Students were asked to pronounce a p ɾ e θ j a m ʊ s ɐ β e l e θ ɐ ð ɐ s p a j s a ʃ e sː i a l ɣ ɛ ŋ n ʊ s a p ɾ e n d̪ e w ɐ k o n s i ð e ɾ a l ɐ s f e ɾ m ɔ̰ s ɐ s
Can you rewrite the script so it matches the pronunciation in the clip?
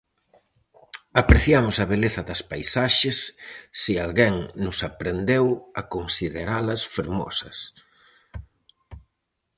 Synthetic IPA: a p ɾ e θ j a m ʊ s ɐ β e l e θ ɐ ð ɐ s p a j s a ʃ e sː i a l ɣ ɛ ŋ n ʊ s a p ɾ e n d̪ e w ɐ k o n s i ð e ɾ a l ɐ s f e ɾ m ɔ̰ s ɐ s

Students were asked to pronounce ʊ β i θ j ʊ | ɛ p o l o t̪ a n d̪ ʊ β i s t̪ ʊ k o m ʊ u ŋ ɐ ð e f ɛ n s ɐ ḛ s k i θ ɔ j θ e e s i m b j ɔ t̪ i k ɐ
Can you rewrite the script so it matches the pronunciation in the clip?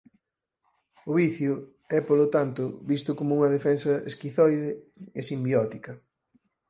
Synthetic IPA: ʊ β i θ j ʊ | ɛ p o l o t̪ a n t̪ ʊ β i s t̪ ʊ k o m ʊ u ŋ ɐ ð e f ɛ n s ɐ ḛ s k i θ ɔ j ð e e s i m b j ɔ t̪ i k ɐ

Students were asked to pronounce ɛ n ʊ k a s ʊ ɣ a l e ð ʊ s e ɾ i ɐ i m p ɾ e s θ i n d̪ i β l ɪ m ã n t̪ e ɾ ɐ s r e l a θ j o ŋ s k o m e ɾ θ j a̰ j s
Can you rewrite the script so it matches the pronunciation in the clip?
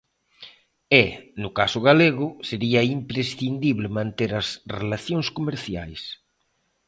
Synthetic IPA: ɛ n ʊ k a s ʊ ɣ a l e ɣ ʊ s e ɾ i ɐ i m p ɾ e s θ i n d̪ i β l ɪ m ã n t̪ e ɾ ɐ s r e l a θ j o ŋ s k o m e ɾ θ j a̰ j s

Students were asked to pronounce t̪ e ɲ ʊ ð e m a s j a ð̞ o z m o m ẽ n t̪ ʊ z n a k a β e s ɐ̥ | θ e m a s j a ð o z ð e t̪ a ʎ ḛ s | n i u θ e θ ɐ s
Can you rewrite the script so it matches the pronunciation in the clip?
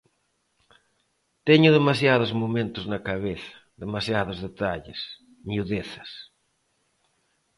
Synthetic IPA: t̪ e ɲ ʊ ð e m a s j a ð̞ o z m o m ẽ n t̪ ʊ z n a k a β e θ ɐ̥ | ð e m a s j a ð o z ð e t̪ a ʎ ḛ s | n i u ð e θ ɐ s

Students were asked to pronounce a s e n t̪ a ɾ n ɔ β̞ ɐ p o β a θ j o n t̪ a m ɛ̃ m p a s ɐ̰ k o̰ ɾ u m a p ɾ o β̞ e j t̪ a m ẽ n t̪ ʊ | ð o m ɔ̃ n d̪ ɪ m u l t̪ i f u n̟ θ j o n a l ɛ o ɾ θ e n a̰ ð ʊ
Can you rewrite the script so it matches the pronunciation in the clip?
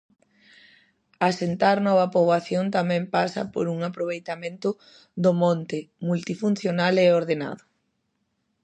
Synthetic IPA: a s e n t̪ a ɾ n ɔ β̞ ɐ p o β a θ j o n t̪ a m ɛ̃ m p a s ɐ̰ p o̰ ɾ u ŋ a p ɾ o β̞ e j t̪ a m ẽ n t̪ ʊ | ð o m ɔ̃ n t̪ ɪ m u l t̪ i f u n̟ θ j o n a l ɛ o ɾ ð e n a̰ ð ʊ

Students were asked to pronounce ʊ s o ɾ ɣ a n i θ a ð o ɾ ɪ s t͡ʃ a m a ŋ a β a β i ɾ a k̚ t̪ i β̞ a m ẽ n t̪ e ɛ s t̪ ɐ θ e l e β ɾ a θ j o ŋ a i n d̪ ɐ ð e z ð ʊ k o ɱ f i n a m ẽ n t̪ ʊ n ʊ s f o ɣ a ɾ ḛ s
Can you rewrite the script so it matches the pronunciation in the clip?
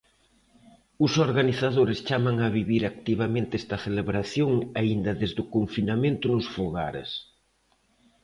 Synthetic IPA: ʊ s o ɾ ɣ a n i θ a ð o ɾ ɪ s t͡ʃ a m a ŋ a β i β i ɾ a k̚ t̪ i β̞ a m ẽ n t̪ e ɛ s t̪ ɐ θ e l e β ɾ a θ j o ŋ a i n d̪ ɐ ð e z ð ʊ k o ɱ f i n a m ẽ n t̪ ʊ n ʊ s f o ɣ a ɾ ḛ s

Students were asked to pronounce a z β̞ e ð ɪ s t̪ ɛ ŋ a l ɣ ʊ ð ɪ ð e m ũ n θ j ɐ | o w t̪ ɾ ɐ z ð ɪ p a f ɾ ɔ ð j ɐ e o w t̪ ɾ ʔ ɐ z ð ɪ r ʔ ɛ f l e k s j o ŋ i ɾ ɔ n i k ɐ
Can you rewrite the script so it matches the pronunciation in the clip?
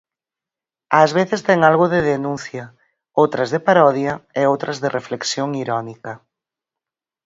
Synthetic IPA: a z β̞ e θ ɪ s t̪ ɛ ŋ a l ɣ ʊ ð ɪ ð e n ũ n θ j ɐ | o w t̪ ɾ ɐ z ð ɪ p a ɾ ɔ ð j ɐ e o w t̪ ɾ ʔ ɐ z ð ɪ r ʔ e f l e k s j o ŋ i ɾ ɔ n i k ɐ

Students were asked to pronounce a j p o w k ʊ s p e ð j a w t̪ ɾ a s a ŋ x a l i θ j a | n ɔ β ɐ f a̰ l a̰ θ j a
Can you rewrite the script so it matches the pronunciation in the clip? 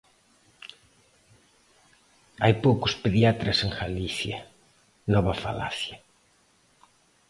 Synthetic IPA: a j p o w k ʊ s p e ð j a t̪ ɾ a s e ŋ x a l i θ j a | n ɔ β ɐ f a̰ l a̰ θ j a

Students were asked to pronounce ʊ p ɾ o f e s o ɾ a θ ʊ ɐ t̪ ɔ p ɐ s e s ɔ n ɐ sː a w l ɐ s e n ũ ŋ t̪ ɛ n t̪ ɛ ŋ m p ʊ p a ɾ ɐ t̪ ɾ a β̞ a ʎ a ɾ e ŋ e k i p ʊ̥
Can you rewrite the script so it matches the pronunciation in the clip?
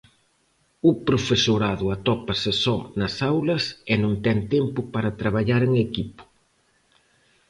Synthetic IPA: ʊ p ɾ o f e s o ɾ a ð ʊ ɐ t̪ ɔ p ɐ s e s ɔ n ɐ s a w l ɐ s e n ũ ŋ t̪ ɛ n t̪ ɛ m p ʊ p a ɾ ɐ t̪ ɾ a β̞ a ʎ a ɾ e ŋ e k i p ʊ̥

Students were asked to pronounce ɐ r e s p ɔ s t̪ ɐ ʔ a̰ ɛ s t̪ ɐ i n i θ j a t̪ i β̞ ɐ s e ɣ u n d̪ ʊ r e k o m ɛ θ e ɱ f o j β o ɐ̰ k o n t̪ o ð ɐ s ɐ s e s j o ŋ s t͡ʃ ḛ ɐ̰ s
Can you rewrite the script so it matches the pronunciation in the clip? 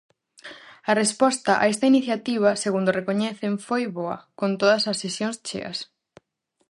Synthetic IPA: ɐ r e s p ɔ s t̪ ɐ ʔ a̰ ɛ s t̪ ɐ i n i θ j a t̪ i β̞ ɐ s e ɣ u n d̪ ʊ r e k o ɲ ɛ θ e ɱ f o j β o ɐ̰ k o n t̪ o ð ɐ s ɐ s e s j o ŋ s t͡ʃ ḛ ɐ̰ s

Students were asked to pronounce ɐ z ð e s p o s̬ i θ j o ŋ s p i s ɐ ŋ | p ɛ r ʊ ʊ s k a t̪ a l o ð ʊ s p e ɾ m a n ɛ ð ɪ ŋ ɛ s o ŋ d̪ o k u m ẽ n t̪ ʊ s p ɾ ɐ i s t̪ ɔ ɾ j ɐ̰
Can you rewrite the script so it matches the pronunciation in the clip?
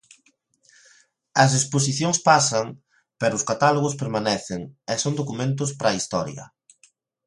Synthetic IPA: ɐ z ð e s p o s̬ i θ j o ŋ s p a s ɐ ŋ | p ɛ ɾ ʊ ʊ s k a t̪ a l o ɣ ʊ s p e ɾ m a n ɛ θ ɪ ŋ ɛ s o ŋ d̪ o k u m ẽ n t̪ ʊ s p ɾ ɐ i s t̪ ɔ ɾ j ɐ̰

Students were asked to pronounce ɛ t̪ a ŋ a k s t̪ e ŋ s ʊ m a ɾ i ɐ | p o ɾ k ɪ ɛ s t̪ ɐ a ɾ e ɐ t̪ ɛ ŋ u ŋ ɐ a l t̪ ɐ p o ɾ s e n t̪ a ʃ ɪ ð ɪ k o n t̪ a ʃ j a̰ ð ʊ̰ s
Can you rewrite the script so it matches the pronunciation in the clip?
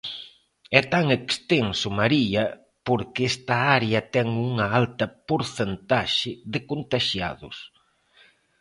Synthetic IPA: ɛ t̪ a ŋ e k s t̪ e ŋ s ʊ m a ɾ i ɐ | p o ɾ k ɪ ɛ s t̪ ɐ a ɾ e ɐ t̪ ɛ ŋ u ŋ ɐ a l t̪ ɐ p o ɾ θ e n t̪ a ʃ ɪ ð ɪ k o n t̪ a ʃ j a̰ ð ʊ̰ s

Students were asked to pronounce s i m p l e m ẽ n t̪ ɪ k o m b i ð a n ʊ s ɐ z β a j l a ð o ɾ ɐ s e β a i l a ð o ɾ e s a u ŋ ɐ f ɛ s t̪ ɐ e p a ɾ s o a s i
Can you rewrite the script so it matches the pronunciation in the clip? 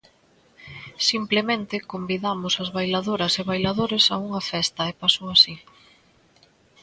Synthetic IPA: s i m p l e m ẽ n t̪ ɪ k o m b i ð a m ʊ s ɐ z β a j l a ð o ɾ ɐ s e β a j l a ð o ɾ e s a u ŋ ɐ f ɛ s t̪ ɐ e p a s o a s i

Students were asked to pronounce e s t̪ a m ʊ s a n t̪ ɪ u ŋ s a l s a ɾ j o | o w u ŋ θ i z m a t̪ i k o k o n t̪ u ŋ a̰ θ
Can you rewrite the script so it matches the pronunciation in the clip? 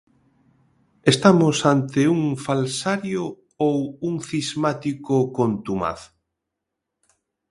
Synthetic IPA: e s t̪ a m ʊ s a n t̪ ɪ u ŋ f a l s a ɾ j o | o w u ŋ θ i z m a t̪ i k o k o n t̪ u m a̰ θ

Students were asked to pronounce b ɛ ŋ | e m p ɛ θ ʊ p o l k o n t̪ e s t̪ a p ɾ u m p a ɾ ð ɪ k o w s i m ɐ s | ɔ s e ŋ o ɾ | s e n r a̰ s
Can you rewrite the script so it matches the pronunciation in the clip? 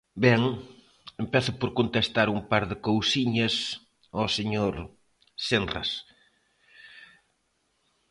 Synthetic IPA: b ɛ ŋ | e m p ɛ θ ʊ p o ɾ k o n t̪ e s t̪ a ɾ u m p a ɾ ð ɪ k o w s i ɲ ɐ s | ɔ s e ɲ o ɾ | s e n r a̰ s

